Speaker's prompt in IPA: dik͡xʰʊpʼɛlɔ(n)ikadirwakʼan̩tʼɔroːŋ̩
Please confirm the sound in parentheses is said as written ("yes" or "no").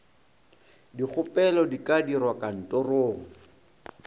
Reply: no